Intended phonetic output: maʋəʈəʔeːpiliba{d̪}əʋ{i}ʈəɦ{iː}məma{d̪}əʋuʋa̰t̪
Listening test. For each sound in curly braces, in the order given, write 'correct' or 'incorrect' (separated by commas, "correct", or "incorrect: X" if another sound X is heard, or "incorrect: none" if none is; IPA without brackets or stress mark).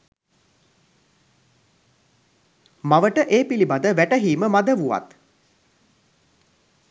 correct, incorrect: æ, correct, correct